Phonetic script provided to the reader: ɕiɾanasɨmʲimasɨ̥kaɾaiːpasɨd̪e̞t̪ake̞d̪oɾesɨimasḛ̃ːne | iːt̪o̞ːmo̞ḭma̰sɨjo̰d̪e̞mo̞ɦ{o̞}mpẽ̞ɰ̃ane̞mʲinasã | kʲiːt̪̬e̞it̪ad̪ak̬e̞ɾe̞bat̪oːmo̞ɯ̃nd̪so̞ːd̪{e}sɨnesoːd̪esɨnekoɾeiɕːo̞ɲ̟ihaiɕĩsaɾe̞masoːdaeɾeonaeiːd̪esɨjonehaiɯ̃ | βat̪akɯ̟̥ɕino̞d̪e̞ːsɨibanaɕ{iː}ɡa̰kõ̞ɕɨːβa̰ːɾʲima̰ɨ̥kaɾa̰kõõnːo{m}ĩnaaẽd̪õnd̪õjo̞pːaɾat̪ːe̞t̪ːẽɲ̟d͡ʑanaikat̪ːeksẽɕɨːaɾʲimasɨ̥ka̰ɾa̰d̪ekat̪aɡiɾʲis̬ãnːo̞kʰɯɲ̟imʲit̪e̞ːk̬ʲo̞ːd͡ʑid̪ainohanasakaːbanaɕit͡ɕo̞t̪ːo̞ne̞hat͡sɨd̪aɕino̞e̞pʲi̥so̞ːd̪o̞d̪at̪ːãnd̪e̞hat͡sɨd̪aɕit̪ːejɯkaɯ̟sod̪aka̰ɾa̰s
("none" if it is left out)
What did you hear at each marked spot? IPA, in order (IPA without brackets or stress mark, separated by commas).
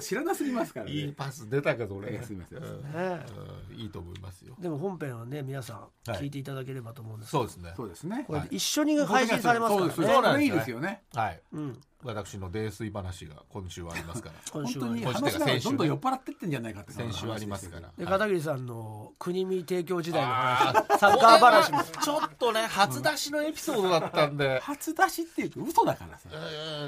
õ̞, e, i, ɲ